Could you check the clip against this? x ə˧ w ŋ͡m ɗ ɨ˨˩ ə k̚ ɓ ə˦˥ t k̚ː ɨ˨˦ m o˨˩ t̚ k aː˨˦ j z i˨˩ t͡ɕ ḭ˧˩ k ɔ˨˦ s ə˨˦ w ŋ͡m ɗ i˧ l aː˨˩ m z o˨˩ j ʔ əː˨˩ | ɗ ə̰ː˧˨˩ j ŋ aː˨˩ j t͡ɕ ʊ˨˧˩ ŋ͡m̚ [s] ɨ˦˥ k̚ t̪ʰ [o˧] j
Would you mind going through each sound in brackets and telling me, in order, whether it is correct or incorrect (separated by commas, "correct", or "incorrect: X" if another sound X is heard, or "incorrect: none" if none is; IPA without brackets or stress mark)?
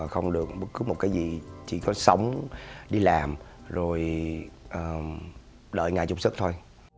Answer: correct, correct